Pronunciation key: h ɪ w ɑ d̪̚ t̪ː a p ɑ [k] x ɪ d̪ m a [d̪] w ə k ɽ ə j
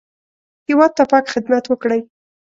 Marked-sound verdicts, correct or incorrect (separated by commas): correct, incorrect